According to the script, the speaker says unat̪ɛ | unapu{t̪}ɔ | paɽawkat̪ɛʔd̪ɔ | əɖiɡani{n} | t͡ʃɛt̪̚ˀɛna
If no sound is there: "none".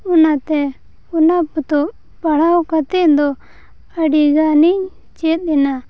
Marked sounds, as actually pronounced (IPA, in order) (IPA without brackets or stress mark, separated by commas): t̪, ɲ